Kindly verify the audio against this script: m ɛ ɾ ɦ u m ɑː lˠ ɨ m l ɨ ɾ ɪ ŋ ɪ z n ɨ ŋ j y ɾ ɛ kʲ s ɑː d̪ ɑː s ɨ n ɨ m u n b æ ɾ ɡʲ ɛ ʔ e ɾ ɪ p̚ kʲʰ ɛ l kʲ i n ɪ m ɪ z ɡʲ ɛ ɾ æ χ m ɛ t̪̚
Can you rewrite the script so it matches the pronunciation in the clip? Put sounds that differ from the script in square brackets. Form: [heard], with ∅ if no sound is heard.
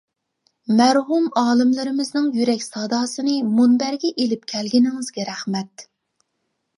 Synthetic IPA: m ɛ ɾ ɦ u m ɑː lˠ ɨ m l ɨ ɾ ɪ [m] ɪ z n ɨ ŋ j y ɾ ɛ kʲ s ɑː d̪ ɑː s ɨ n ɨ m u n b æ ɾ ɡʲ ɛ ʔ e [l] ɪ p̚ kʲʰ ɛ l [ɡʲ] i n ɪ [ŋ] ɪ z ɡʲ ɛ ɾ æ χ m ɛ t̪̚